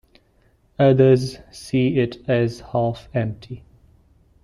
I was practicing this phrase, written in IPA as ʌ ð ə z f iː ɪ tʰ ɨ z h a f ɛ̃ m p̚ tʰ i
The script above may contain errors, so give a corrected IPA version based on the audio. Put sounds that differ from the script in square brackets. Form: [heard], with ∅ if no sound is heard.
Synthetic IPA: ʌ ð ə z [s] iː ɪ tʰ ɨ z h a f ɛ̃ m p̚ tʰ i